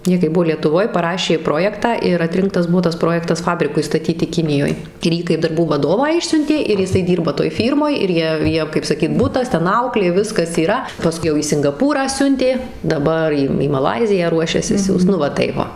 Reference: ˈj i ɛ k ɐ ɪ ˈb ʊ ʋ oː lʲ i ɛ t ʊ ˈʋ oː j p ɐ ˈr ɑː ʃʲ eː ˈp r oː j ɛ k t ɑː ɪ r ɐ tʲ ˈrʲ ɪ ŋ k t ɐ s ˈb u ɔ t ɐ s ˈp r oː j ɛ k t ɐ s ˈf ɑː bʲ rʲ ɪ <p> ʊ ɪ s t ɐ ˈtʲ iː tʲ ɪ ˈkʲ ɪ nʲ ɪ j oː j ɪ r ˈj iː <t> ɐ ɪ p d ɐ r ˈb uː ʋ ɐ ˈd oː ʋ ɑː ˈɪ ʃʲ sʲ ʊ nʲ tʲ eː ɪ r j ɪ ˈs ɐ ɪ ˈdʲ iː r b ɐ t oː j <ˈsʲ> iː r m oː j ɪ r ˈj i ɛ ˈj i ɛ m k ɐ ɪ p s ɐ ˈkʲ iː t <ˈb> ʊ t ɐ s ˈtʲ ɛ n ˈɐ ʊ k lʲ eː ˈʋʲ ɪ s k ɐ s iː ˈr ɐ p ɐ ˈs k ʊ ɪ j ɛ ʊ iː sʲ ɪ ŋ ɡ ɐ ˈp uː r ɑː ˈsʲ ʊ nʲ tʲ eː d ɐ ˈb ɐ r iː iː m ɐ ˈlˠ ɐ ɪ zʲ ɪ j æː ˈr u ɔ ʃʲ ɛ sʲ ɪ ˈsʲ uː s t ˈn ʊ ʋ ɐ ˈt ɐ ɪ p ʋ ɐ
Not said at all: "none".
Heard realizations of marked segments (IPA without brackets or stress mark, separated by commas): k, k, fʲ, b